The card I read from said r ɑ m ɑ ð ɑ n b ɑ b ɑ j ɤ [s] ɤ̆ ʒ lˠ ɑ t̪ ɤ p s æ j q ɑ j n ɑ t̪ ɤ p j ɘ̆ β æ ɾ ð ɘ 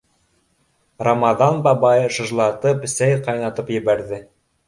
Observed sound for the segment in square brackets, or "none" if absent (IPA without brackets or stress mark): ʃ